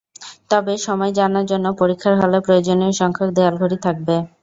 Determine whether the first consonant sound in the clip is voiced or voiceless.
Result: voiceless